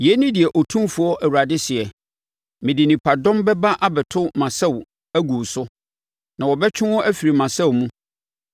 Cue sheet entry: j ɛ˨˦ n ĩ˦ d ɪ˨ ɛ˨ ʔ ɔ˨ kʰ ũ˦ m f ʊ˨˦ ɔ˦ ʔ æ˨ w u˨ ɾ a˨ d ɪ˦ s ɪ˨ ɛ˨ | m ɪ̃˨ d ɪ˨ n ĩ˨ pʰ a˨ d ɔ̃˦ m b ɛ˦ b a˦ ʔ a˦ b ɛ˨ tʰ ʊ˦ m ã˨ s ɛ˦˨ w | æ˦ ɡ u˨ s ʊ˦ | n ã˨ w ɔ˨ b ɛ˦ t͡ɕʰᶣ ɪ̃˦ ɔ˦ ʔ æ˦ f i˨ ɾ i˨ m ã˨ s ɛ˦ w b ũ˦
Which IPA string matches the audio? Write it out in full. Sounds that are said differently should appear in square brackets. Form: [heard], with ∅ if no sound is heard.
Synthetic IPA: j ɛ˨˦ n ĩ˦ d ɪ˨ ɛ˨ ʔ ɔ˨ [tʰ] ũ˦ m f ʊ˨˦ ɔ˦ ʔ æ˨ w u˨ ɾ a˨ d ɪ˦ s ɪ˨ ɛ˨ | m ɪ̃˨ d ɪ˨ n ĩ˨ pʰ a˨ d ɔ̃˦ m b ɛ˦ b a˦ ʔ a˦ b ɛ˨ tʰ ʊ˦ m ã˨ s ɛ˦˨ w | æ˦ ɡ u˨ s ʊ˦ | n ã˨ w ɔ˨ b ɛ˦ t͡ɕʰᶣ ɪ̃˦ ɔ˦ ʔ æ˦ f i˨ ɾ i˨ m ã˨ s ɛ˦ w [m] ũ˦